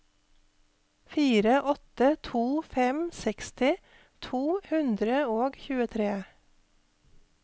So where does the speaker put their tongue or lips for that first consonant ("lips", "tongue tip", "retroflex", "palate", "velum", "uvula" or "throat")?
lips